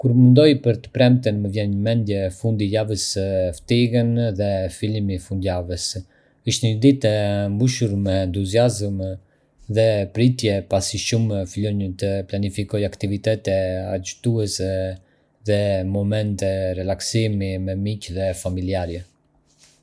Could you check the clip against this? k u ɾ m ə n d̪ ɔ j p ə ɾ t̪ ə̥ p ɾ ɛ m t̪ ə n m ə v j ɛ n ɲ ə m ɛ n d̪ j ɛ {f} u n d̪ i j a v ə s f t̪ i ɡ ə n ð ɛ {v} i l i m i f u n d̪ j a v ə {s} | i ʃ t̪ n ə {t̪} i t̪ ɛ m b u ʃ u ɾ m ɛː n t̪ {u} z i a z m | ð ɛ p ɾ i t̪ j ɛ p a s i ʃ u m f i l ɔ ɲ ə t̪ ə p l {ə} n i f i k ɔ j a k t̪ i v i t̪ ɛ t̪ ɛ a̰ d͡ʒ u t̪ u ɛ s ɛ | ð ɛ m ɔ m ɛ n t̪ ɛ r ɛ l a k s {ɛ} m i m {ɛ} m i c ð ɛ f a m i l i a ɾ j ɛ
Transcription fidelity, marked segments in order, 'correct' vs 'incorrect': correct, incorrect, correct, incorrect, correct, incorrect, incorrect, correct

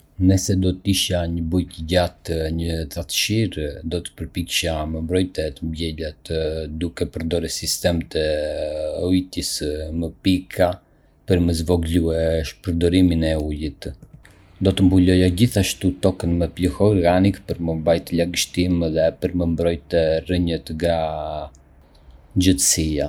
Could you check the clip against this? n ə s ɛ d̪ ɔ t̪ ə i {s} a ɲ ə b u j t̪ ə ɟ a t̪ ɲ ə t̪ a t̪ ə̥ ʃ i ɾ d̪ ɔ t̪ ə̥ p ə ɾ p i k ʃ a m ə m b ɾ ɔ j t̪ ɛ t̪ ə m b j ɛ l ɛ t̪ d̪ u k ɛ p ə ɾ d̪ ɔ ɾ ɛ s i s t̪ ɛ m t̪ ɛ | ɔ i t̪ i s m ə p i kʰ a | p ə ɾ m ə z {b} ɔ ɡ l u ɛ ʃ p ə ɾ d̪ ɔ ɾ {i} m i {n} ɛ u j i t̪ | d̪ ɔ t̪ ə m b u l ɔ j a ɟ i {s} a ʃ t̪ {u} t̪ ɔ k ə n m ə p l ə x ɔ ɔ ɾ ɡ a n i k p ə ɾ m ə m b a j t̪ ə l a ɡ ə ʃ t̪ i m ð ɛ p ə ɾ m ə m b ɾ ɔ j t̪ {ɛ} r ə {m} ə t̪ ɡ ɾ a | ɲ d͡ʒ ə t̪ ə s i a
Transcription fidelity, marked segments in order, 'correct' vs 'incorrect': incorrect, incorrect, correct, correct, incorrect, correct, correct, incorrect

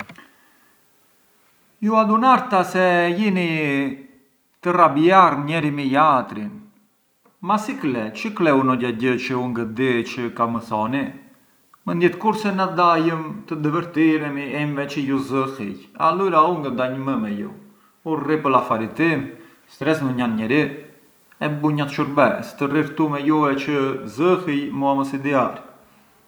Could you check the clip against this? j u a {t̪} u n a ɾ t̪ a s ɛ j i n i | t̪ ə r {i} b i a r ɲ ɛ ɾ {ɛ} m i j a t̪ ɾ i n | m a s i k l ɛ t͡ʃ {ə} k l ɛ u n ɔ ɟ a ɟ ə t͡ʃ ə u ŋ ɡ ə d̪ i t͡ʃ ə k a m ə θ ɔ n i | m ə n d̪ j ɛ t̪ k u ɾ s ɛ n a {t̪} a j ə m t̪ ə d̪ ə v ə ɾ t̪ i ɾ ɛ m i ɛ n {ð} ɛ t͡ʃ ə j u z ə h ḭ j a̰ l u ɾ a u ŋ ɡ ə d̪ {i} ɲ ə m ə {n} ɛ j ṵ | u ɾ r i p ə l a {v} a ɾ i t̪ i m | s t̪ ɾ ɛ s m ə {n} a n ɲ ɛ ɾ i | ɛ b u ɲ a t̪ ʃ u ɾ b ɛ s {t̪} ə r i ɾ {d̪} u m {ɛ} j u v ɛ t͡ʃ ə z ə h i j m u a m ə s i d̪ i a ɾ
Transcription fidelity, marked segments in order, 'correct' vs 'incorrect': incorrect, incorrect, incorrect, correct, incorrect, incorrect, incorrect, incorrect, incorrect, incorrect, correct, incorrect, correct

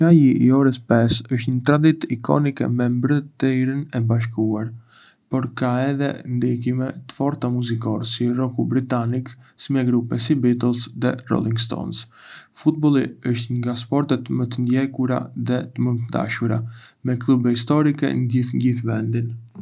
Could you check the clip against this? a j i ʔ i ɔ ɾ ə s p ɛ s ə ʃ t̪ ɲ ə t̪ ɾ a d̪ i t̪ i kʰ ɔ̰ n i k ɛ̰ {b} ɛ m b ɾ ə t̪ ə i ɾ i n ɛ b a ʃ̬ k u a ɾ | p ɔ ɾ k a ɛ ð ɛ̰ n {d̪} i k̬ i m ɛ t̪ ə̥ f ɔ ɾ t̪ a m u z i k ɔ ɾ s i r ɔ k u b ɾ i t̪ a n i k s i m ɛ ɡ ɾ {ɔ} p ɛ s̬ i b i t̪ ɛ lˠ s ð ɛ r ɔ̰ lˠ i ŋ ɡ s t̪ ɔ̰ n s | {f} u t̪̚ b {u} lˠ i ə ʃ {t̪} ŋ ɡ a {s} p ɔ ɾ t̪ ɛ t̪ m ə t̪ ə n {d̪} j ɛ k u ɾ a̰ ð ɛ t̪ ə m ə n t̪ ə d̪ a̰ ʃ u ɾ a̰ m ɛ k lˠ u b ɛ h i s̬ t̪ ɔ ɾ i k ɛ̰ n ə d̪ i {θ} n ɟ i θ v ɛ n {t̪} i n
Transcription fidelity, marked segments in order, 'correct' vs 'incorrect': incorrect, correct, incorrect, correct, incorrect, correct, correct, correct, correct, incorrect

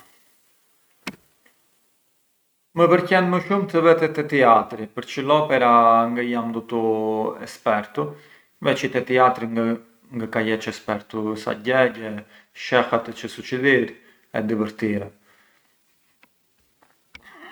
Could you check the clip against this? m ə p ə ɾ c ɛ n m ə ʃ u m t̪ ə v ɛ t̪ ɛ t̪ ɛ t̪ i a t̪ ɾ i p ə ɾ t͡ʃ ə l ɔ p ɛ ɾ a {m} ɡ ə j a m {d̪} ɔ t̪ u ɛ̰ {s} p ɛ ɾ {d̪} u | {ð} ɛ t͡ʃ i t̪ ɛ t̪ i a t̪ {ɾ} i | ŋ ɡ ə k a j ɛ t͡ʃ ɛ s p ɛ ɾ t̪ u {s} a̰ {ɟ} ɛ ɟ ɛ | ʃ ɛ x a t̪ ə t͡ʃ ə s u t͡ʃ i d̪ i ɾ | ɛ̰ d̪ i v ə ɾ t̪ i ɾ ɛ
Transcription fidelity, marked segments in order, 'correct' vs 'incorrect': incorrect, correct, correct, incorrect, incorrect, correct, correct, correct

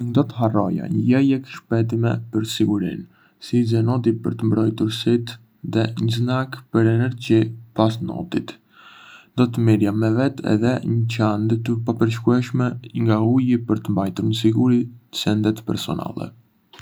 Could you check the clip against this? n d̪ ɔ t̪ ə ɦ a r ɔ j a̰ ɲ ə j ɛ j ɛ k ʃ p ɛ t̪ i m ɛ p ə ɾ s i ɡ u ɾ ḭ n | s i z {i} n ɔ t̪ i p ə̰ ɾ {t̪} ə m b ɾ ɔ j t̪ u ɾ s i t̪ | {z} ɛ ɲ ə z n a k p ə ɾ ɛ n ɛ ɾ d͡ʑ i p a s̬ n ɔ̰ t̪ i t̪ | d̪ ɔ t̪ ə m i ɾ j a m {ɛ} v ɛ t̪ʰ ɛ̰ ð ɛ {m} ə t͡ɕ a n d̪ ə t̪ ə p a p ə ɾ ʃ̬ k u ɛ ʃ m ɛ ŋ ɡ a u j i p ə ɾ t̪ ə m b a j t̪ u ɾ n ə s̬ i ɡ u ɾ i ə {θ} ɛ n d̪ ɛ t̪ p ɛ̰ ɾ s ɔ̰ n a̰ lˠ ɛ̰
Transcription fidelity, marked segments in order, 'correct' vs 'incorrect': incorrect, correct, incorrect, correct, incorrect, incorrect

